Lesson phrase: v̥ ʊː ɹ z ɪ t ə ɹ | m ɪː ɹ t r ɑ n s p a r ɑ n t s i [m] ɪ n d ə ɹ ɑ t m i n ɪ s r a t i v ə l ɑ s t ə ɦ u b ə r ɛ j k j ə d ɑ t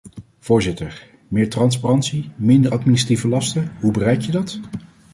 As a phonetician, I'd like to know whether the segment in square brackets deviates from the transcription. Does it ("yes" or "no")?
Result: no